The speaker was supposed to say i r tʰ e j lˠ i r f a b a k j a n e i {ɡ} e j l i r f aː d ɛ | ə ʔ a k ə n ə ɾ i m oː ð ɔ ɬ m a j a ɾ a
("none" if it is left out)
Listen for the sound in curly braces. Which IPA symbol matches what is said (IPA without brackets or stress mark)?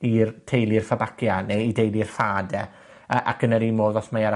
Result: d